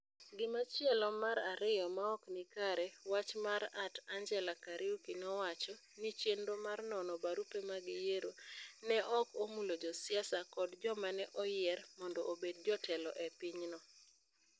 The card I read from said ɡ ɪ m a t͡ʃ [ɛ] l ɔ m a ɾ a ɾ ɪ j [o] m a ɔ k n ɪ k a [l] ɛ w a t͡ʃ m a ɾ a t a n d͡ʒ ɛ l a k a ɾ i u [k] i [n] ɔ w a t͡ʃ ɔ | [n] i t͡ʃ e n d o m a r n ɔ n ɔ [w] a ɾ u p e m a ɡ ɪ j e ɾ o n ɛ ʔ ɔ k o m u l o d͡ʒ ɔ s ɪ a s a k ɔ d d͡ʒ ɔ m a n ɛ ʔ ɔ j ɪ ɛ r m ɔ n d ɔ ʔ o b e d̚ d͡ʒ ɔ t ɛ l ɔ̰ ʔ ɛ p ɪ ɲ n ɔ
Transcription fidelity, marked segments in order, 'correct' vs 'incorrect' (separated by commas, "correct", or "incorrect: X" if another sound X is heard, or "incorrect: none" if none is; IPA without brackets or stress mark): correct, incorrect: ɔ, incorrect: ɾ, correct, correct, correct, incorrect: b